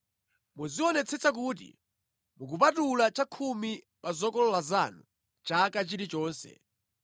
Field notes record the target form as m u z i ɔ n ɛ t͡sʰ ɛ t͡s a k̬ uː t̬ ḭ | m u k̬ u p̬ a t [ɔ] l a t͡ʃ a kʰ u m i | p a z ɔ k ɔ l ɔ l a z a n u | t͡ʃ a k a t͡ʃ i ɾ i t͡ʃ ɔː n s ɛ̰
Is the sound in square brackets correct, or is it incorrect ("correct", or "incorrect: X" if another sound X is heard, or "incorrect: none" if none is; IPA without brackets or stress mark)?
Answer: incorrect: u